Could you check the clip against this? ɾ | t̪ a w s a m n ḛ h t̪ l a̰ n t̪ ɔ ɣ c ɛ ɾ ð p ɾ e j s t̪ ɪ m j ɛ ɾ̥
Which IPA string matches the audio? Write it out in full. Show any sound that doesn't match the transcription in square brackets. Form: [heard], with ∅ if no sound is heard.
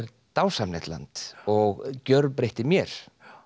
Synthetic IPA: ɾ | t̪ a w s a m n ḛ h t̪ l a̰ n t̪ ɔ ɣ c [œ] ɾ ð p ɾ e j [h] t̪ ɪ m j ɛ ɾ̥

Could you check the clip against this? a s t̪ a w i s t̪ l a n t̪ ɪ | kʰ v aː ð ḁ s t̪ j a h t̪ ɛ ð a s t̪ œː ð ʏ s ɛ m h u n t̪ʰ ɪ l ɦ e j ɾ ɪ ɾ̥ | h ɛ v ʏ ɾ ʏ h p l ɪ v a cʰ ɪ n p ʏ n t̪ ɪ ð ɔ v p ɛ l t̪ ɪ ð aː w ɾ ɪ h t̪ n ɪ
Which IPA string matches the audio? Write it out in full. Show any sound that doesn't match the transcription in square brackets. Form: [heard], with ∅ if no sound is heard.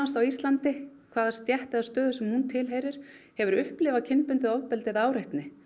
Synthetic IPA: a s t̪ a w i s t̪ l a n t̪ ɪ | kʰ v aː ð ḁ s t̪ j [ɛ] h t̪ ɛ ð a s t̪ œː ð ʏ s ɛ m h u n t̪ʰ ɪ l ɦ e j ɾ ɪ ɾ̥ | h ɛ v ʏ ɾ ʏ h p l ɪ v a cʰ ɪ n p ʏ n t̪ ɪ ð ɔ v p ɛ l t̪ ɪ ð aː w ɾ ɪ h t̪ n ɪ

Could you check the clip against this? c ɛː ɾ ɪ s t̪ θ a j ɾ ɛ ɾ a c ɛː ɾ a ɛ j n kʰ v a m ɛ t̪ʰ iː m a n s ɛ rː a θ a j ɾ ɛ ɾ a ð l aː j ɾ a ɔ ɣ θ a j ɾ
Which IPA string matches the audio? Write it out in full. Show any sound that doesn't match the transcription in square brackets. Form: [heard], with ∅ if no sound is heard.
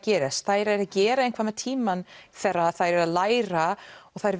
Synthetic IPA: c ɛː ɾ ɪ s t̪ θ a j ɾ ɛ ɾ a c ɛː ɾ a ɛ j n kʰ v a m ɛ t̪ʰ iː m a n [θ] ɛ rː a θ a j ɾ ɛ ɾ a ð l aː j ɾ a ɔ ɣ θ a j ɾ

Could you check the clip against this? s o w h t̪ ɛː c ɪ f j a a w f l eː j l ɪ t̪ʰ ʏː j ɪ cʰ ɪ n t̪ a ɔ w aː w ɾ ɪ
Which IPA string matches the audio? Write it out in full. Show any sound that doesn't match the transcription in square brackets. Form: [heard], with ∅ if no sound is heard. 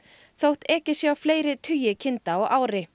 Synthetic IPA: [θ] o w h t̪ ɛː c ɪ [s] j a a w f l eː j [ɾ] ɪ t̪ʰ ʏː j ɪ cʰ ɪ n t̪ a ɔ [ɣ] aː w ɾ ɪ

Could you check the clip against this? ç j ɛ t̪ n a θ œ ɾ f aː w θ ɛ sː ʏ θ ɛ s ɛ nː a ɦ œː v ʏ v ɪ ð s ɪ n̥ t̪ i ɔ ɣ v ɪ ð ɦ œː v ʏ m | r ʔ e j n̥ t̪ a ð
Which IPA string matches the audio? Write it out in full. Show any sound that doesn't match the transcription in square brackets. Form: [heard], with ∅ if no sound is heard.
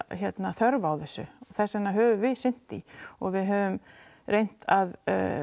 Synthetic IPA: ç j ɛ t̪ n a θ œ ɾ [v] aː w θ ɛ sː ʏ θ ɛ s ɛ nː a ɦ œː v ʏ v ɪ ð s ɪ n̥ t̪ i ɔ ɣ v ɪ ð ɦ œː v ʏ m | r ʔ e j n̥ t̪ a ð

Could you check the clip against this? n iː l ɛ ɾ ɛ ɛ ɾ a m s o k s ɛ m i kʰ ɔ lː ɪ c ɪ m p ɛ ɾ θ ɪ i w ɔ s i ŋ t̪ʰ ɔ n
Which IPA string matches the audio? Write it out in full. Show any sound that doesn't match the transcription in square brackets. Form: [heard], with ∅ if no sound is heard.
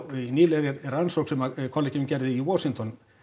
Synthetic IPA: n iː l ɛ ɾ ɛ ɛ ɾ a [n] s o k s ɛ m [a] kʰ ɔ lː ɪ c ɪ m [c] ɛ ɾ [ð] ɪ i w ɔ s i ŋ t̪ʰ ɔ n

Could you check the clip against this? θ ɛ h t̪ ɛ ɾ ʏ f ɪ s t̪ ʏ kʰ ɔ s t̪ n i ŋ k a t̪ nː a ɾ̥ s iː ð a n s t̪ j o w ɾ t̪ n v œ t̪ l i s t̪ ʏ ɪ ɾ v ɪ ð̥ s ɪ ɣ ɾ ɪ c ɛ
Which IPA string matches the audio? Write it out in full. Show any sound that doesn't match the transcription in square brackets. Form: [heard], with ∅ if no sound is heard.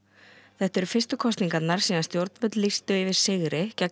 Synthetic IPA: θ ɛ h t̪ ɛ ɾ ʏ f ɪ s t̪ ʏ kʰ ɔ s t̪ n i ŋ k a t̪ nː a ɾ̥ s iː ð a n s t̪ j o w ɾ t̪ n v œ t̪ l i s t̪ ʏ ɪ [∅] v ɪ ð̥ s ɪ ɣ ɾ ɪ c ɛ

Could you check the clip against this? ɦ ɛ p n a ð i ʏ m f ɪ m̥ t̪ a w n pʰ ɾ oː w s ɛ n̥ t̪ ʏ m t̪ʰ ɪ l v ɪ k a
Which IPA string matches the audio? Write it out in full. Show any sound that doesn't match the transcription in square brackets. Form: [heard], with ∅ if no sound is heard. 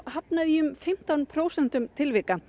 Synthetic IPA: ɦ [a] p n a ð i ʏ m f ɪ m̥ t̪ a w n pʰ ɾ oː w s ɛ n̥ t̪ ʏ m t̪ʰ ɪ l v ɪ k a

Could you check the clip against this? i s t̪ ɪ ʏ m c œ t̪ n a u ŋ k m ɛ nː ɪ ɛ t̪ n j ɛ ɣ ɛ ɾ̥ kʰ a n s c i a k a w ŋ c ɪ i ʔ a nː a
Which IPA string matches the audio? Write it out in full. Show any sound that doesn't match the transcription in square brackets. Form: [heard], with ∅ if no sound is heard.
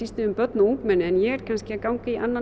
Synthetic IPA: i s t̪ ɪ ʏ m [p] œ t̪ n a u ŋ k m ɛ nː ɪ ɛ [∅] n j ɛ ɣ ɛ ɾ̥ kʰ a n s c [ɪ] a k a w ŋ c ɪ i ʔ a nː a

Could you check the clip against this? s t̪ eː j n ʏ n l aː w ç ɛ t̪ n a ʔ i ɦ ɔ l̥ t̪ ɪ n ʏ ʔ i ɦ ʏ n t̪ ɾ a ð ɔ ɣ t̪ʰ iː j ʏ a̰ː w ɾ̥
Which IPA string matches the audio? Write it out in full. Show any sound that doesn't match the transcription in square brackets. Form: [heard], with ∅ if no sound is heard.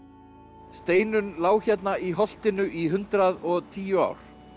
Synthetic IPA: s t̪ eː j n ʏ n l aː w ç ɛ t̪ n a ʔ i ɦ ɔ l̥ t̪ ɪ n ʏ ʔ i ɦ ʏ n t̪ ɾ a ð ɔ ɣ t̪ʰ iː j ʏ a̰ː w ɾ̥

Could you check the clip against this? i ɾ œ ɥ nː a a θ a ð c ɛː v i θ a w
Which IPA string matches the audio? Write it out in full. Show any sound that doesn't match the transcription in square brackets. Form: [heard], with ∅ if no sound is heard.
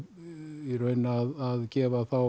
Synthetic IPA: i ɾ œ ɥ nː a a [ð] a ð c ɛː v [a] θ a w

